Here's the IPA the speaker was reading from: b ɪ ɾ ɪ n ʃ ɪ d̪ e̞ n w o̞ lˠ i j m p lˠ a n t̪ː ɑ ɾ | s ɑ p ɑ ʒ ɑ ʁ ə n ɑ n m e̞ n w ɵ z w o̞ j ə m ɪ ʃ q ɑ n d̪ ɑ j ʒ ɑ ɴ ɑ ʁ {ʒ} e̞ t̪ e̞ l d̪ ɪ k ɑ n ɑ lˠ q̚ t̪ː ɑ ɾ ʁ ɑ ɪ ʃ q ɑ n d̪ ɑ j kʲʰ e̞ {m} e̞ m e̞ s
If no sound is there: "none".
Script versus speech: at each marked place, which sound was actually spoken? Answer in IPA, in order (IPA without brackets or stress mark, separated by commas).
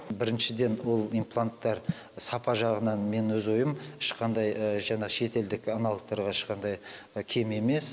ʃ, m